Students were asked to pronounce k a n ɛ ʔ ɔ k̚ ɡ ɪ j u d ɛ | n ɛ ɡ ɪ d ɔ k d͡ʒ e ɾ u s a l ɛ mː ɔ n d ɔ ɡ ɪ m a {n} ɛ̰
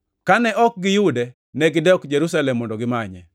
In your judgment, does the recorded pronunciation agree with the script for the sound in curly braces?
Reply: no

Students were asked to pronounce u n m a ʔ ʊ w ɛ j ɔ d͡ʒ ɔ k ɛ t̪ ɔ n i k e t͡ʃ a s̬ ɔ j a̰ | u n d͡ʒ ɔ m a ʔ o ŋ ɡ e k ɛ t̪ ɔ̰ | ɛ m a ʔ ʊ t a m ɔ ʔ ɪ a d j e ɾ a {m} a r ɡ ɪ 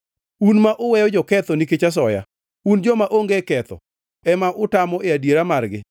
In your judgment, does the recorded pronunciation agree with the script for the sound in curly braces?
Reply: yes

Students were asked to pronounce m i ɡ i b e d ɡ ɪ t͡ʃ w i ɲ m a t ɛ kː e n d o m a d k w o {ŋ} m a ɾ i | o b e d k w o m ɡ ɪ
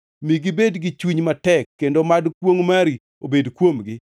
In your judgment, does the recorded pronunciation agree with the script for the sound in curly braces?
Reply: yes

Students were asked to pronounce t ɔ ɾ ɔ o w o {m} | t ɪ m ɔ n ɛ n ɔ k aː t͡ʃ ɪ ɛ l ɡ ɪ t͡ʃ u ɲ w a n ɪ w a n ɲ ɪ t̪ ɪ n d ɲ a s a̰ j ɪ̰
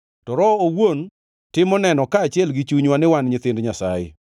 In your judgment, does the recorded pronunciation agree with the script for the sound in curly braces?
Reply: no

